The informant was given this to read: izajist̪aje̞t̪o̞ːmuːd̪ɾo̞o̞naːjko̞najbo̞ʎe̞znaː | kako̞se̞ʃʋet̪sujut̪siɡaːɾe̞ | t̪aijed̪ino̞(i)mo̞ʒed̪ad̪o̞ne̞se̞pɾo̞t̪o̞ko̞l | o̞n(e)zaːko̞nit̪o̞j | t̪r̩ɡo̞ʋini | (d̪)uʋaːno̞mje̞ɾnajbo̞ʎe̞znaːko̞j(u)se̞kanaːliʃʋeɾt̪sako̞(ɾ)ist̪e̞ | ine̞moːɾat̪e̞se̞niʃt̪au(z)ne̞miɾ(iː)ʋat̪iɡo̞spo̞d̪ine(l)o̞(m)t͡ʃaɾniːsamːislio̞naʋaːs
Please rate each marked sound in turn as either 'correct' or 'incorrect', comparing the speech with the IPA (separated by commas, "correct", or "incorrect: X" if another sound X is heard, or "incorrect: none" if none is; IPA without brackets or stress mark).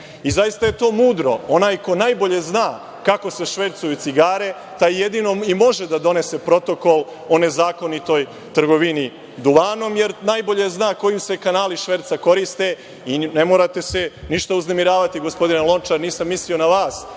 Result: correct, correct, correct, correct, correct, correct, incorrect: aː, correct, incorrect: n